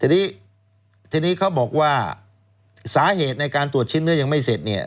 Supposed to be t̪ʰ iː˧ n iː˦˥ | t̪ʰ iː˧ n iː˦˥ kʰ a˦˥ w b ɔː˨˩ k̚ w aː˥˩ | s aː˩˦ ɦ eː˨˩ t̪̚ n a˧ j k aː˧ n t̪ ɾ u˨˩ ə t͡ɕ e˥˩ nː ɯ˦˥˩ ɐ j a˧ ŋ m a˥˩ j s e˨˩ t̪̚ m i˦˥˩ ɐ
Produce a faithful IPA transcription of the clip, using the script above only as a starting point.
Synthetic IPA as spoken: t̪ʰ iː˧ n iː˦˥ | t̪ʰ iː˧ n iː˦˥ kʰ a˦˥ w b ɔː˨˩ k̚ w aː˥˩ | s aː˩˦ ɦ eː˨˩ t̪̚ n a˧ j k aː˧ n t̪ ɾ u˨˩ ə t͡ɕʰ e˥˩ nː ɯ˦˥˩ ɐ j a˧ ŋ m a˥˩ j s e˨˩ t̪̚ n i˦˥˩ ɐ